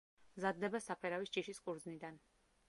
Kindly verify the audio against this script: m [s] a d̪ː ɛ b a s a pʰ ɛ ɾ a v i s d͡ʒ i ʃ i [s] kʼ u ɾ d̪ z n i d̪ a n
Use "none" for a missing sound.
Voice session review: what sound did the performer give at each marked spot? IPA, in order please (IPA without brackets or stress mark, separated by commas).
z, s